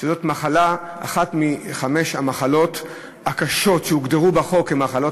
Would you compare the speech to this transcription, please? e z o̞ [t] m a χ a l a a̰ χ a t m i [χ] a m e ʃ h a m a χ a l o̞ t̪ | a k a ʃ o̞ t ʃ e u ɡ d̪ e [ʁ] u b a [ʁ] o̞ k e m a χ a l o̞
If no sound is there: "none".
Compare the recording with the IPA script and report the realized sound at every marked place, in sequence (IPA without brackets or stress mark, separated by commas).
t, χ, ʁ, χ